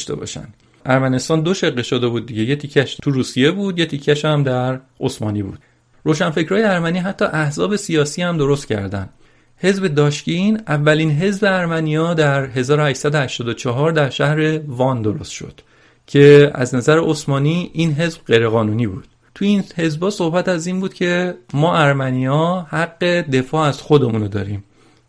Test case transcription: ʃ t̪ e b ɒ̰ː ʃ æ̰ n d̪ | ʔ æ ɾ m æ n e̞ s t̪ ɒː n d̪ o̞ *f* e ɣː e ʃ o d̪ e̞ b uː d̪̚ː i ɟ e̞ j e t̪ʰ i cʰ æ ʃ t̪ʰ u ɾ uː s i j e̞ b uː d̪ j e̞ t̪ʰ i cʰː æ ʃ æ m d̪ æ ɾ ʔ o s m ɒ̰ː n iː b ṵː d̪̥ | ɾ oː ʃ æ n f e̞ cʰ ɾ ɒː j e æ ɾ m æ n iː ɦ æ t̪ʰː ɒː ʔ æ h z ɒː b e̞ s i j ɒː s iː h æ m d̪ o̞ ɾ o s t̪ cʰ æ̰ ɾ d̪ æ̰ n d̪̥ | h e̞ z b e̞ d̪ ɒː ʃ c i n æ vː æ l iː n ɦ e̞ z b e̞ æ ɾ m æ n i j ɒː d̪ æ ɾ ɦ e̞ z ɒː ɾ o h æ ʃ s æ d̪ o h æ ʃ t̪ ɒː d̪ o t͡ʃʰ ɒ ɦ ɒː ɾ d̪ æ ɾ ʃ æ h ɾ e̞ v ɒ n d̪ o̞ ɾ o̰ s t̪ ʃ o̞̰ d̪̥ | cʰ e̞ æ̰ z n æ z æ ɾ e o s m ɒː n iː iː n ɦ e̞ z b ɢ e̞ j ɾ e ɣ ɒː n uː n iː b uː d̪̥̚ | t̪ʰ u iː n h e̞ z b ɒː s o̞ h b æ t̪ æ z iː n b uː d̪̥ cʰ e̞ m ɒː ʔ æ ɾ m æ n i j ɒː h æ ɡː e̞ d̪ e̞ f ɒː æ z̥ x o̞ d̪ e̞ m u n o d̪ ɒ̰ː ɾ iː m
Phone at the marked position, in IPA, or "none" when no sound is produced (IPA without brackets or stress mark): ʃ